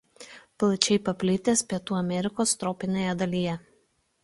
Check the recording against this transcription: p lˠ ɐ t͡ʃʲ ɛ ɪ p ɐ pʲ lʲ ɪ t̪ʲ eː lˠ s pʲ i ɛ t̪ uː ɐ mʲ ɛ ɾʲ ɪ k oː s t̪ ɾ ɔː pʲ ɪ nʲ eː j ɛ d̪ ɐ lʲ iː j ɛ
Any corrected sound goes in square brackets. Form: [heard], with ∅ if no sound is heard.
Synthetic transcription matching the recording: p lˠ ɐ t͡ʃʲ ɛ ɪ p ɐ pʲ lʲ ɪ t̪ʲ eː [∅] s pʲ i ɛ t̪ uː ɐ mʲ ɛ ɾʲ ɪ k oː s t̪ ɾ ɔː pʲ ɪ nʲ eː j ɛ d̪ ɐ lʲ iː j ɛ